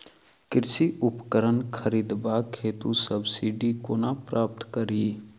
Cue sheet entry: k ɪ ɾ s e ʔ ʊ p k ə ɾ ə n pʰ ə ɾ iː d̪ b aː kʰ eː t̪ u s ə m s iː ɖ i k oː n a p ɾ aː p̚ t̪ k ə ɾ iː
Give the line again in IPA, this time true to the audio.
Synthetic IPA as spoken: k ɪ ɾ s i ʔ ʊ p k ə ɾ ə n kʰ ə ɾ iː d̪ b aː kʰ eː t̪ u s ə b s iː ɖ i k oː n a p ɾ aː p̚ t̪ k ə ɾ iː

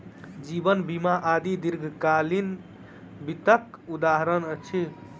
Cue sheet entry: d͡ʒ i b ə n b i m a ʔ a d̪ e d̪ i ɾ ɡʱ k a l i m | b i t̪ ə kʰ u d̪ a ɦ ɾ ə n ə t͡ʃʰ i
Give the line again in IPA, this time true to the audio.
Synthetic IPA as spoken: d͡ʒ i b ə n b i m a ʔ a d̪ i d̪ i ɾ ɡʱ k a l i n | b i t̪ ə k u d̪ a ɦ ɾ ə n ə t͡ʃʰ i

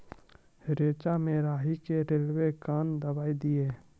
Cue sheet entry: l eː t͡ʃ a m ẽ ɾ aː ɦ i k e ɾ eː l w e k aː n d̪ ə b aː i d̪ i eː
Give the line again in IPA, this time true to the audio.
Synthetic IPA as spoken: ɾ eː t͡ʃ a m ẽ ɾ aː ɦ i k e ɾ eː l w e k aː n d̪ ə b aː i d̪ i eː

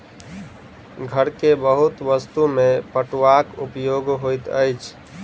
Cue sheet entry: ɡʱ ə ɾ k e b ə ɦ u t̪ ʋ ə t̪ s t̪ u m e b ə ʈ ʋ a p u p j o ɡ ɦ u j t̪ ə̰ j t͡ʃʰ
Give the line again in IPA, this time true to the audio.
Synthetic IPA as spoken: ɡʱ ə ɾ k e b ə ɦ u t̪ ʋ ə s t̪ u m e p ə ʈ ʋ a k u p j o ɡ ɦ o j t̪ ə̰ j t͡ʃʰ

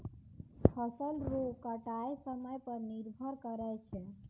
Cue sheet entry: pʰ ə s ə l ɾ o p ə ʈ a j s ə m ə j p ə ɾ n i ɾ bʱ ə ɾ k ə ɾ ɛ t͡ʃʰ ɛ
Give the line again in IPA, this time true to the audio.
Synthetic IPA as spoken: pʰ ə s ə l ɾ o k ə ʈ a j s ə m ə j p ə ɾ n i ɾ bʱ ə ɾ k ə ɾ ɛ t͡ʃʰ ɛ

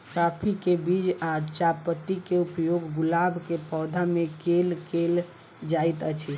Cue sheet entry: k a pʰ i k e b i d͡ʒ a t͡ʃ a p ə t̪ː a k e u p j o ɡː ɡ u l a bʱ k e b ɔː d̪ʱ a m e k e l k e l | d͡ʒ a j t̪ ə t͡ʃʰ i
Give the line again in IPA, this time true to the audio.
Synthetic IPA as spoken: k a pʰ i k e b i d͡ʒ a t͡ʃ a p ə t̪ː i k e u p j o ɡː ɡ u l a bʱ k e p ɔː d̪ʱ a m e k e l k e l | d͡ʒ a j t̪ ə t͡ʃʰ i

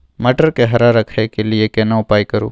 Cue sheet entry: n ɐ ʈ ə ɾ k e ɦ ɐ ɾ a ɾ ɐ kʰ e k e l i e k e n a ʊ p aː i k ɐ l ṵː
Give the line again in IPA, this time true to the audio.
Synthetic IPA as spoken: m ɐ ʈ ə ɾ k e ɦ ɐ ɾ a ɾ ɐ kʰ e k e l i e k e n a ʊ p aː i k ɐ ɾ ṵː

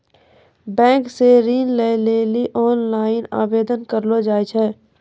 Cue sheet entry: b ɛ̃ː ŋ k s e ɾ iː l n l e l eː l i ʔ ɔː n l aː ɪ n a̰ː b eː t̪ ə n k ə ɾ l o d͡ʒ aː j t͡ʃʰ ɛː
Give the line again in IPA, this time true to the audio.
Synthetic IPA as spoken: b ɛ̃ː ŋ k s e ɾ iː n l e l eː l i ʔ ɔː n l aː ɪ n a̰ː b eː d̪ ə n k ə ɾ l o d͡ʒ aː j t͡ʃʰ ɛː

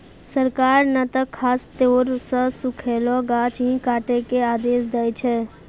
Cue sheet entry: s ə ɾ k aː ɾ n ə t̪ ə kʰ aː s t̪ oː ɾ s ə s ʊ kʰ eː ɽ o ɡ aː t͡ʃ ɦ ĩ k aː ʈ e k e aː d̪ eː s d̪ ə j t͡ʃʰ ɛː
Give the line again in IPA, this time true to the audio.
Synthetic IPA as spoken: s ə ɾ k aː ɾ n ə t̪ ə kʰ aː s t̪ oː ɾ s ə s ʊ kʰ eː l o ɡ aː t͡ʃ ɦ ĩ k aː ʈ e k e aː d̪ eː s d̪ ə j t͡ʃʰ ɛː

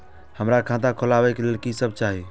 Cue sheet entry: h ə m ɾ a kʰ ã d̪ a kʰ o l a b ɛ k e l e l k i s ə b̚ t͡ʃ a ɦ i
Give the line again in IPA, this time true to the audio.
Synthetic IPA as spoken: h ə m ɾ a kʰ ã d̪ a kʰ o l a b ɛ k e l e l k i s ə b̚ t͡ʃ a ɦ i

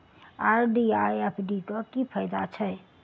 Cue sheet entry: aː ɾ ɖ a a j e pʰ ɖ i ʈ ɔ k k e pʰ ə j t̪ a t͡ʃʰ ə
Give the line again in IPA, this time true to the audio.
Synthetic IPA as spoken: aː ɾ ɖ i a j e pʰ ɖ i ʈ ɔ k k i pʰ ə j d̪ a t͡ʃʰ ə

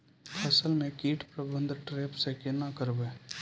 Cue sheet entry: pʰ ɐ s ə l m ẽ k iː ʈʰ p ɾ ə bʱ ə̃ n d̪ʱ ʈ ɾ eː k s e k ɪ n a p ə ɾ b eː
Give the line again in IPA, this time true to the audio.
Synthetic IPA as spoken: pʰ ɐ s ə l m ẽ k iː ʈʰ p ɾ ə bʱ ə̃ n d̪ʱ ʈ ɾ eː p s e k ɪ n a k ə ɾ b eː

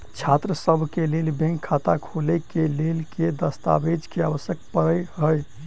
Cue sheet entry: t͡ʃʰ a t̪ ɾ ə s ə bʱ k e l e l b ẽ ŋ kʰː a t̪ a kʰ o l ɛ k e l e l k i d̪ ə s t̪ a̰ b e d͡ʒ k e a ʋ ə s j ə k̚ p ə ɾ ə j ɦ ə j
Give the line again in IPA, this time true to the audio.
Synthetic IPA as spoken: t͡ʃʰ a t̪ ɾ ə s ə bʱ k e l e l b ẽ ŋ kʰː a t̪ a kʰ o l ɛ k e l e l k e d̪ ə s t̪ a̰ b e d͡ʒ k e a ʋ ə s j ə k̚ p ə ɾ ə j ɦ ə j

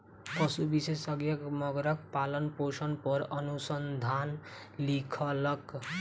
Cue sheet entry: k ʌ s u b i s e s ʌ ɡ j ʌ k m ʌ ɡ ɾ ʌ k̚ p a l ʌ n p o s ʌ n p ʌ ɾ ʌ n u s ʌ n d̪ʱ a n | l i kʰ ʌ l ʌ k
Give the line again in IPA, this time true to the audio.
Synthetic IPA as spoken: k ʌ s u b i s e s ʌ ɡ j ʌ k m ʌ ɡ ɾ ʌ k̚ p a l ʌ n p o s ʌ n p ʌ ɾ ʌ n u s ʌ n d̪ʱ a n | l i kʰ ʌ l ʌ k

